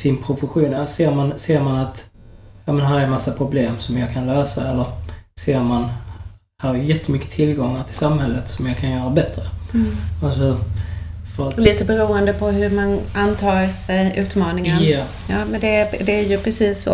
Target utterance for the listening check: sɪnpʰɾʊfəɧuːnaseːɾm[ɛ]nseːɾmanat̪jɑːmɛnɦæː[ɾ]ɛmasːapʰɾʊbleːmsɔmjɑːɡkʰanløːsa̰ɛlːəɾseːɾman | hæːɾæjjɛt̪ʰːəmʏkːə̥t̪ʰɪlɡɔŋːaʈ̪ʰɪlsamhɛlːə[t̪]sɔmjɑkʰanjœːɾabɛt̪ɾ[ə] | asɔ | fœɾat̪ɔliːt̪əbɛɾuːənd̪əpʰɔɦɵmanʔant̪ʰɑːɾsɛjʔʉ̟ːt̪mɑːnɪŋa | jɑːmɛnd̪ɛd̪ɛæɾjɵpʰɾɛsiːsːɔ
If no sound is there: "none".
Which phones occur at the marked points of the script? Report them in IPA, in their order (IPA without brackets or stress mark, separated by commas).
a, ɾ, t̪, ə